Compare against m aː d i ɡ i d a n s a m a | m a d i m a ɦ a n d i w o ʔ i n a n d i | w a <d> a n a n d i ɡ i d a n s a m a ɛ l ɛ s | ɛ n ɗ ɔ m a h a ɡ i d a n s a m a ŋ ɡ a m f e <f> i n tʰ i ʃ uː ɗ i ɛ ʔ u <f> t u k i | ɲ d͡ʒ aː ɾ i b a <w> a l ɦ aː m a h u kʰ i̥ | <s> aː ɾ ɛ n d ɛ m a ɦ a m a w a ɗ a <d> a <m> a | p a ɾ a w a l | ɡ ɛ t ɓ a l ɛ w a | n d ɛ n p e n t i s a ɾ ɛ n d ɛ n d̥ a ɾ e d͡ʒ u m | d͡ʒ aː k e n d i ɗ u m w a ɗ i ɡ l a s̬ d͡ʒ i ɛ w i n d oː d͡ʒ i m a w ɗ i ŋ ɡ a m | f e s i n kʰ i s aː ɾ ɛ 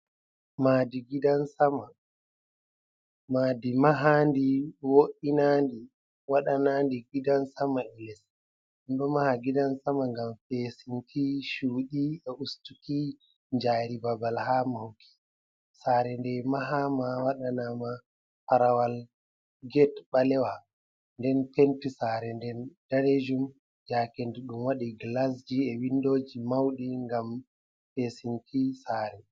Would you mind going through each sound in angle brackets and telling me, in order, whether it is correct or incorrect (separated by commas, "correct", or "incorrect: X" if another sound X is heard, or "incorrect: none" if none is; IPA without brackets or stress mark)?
incorrect: ɗ, incorrect: s, incorrect: s, incorrect: b, correct, incorrect: n, correct